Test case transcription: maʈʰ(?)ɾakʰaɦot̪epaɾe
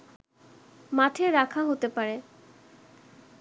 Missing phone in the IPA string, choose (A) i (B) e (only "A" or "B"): B